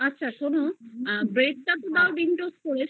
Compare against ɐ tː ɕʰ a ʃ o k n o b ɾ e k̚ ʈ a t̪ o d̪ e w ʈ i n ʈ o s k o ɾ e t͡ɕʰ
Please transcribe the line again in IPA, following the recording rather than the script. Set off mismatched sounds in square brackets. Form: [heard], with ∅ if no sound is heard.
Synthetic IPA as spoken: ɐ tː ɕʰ a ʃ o [∅] n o b ɾ e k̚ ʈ a t̪ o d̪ [a] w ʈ i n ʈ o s k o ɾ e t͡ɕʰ